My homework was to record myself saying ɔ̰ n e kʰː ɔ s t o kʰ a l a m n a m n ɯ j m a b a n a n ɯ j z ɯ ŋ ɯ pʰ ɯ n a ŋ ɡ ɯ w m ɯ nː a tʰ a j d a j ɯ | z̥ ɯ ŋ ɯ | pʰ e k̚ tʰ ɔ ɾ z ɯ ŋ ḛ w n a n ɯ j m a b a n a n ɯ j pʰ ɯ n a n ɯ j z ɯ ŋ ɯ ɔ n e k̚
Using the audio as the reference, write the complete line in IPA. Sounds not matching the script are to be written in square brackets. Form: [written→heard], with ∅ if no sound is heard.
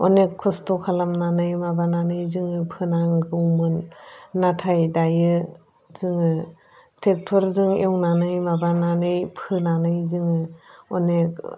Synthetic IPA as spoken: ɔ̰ n e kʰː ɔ s t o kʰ a l a m n a [m→∅] n ɯ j m a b a n a n ɯ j z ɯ ŋ ɯ pʰ ɯ n a ŋ ɡ ɯ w m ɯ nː a tʰ a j d a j ɯ | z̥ ɯ ŋ ɯ | [pʰ→tʰ] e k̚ tʰ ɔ ɾ z ɯ ŋ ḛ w n a n ɯ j m a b a n a n ɯ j pʰ ɯ n a n ɯ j z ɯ ŋ ɯ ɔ n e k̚